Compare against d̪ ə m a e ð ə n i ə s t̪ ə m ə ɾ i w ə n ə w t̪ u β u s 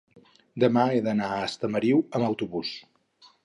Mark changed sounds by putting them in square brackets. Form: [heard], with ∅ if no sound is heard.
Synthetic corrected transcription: d̪ ə m a e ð ə n [a] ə s t̪ ə m ə ɾ i w ə [m] ə w t̪ u β u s